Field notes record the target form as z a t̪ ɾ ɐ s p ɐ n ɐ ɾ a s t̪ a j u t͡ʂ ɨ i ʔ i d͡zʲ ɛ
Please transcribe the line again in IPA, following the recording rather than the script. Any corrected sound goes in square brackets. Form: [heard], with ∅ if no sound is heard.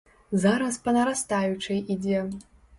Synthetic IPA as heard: z a [∅] ɾ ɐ s p ɐ n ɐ ɾ a s t̪ a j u t͡ʂ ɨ [j] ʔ i d͡zʲ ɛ

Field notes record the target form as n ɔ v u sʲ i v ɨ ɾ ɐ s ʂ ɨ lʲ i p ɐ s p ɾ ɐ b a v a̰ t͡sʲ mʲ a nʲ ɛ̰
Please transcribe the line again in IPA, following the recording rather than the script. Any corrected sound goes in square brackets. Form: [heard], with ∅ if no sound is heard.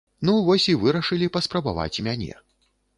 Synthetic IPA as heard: n [u] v [ɔ] sʲ i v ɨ ɾ ɐ [∅] ʂ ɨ lʲ i p ɐ s p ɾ ɐ b a v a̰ t͡sʲ mʲ a nʲ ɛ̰

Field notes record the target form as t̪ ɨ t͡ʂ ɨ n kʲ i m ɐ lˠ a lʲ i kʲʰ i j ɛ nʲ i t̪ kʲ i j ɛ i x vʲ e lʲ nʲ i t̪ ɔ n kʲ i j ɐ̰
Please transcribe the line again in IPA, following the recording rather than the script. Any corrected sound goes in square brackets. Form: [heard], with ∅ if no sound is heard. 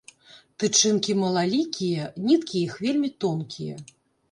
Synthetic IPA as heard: t̪ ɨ t͡ʂ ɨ n kʲ i m ɐ lˠ a lʲ i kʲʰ i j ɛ nʲ i t̪ kʲ i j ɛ i x vʲ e lʲ [mʲ] i t̪ ɔ n kʲ i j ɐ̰

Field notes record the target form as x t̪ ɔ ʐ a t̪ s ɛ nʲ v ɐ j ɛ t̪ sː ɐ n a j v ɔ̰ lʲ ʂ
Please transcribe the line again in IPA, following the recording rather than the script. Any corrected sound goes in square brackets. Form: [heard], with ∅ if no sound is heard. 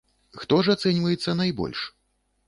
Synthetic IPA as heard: x t̪ ɔ ʐ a t̪ s ɛ nʲ v ɐ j ɛ t̪ sː ɐ n a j [b] ɔ̰ lʲ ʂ

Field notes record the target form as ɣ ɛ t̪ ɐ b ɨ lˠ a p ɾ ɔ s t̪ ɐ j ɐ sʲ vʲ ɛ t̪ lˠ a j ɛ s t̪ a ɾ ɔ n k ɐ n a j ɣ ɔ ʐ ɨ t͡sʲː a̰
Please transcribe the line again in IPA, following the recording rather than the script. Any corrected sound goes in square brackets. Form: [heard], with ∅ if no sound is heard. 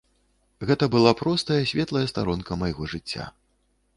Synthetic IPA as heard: ɣ ɛ t̪ ɐ b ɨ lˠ a p ɾ ɔ s t̪ ɐ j ɐ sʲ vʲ ɛ t̪ lˠ [ɐ] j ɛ s t̪ a ɾ ɔ n k ɐ [m] a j ɣ ɔ ʐ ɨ t͡sʲː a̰

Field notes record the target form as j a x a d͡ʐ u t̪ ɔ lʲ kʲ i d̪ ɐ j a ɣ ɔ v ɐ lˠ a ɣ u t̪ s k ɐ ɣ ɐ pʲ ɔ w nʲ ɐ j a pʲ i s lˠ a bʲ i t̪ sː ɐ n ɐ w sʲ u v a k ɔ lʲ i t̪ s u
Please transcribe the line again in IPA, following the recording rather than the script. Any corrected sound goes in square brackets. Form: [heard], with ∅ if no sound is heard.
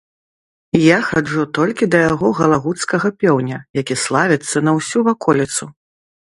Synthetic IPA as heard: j a x a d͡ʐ u t̪ ɔ lʲ kʲ i d̪ ɐ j a ɣ ɔ [ɣ] ɐ lˠ a ɣ u t̪ s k ɐ ɣ ɐ pʲ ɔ w nʲ ɐ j a [kʲ] i s lˠ a [vʲ] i t̪ sː ɐ n ɐ w sʲ u v a k ɔ lʲ i t̪ s u

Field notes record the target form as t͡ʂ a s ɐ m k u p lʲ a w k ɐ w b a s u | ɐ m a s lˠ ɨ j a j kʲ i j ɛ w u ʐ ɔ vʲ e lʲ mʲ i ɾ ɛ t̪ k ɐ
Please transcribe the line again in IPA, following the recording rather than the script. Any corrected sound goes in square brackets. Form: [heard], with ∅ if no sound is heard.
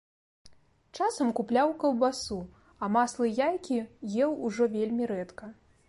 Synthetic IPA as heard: t͡ʂ a s ɐ m k u p lʲ a w k ɐ w b a s u | ɐ m a s lˠ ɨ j a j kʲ i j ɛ w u ʐ ɔ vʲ e lʲ mʲ i ɾ ɛ t̪ k ɐ

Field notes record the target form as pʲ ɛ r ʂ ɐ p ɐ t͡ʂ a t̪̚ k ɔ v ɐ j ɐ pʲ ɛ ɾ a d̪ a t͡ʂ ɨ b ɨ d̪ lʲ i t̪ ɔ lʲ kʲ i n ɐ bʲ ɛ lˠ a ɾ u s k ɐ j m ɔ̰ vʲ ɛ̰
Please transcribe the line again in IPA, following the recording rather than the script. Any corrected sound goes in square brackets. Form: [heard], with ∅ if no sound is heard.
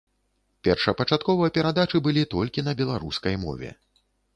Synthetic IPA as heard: pʲ ɛ r ʂ ɐ p ɐ t͡ʂ a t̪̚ k ɔ v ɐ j ɐ pʲ ɛ ɾ a d̪ a t͡ʂ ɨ b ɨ [∅] lʲ i t̪ ɔ lʲ kʲ i n ɐ bʲ ɛ lˠ a ɾ u s k ɐ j m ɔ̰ vʲ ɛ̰

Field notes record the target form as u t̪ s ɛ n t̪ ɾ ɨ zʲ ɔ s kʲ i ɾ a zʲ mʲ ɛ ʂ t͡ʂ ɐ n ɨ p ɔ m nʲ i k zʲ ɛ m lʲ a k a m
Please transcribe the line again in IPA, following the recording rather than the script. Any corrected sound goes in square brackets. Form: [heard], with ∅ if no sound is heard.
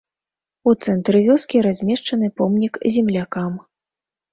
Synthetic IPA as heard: u t̪ s ɛ n t̪ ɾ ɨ [vʲ] ɔ s kʲ i ɾ a zʲ mʲ ɛ ʂ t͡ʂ ɐ n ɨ p ɔ m nʲ i k zʲ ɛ m lʲ a k a m

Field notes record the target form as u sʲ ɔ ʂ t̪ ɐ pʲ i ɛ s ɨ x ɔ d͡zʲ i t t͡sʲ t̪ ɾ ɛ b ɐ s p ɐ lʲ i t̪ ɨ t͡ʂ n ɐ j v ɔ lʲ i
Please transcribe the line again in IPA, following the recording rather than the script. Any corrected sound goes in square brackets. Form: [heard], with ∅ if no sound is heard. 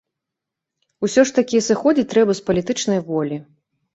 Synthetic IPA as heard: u sʲ ɔ ʂ t̪ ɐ [kʲ] i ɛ s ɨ x ɔ d͡zʲ i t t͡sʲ t̪ ɾ ɛ b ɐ s p ɐ lʲ i t̪ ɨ t͡ʂ n ɐ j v ɔ lʲ i

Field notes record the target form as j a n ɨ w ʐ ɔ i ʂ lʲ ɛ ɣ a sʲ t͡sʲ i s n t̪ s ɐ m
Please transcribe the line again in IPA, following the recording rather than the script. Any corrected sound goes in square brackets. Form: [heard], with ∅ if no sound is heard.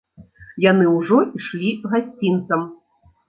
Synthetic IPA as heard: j a n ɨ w ʐ ɔ i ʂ lʲ [i] ɣ a sʲ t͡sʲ i [∅] n t̪ s ɐ m

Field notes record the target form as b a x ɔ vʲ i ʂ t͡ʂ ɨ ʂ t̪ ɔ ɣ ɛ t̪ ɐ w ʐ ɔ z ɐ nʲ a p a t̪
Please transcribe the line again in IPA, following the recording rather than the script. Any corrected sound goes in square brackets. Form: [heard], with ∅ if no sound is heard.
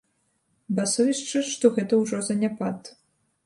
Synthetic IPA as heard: b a [s] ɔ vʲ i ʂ t͡ʂ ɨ ʂ t̪ ɔ ɣ ɛ t̪ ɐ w ʐ ɔ z ɐ nʲ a p a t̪

